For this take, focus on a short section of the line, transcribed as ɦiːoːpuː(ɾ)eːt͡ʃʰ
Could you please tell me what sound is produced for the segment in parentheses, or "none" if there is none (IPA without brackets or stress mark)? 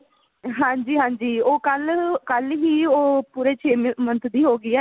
ɾ